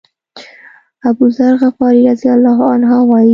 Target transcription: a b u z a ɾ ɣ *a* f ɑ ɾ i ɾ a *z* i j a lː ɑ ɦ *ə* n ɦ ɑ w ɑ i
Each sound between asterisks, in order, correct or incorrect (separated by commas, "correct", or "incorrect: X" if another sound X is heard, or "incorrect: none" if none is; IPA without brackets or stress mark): correct, correct, incorrect: a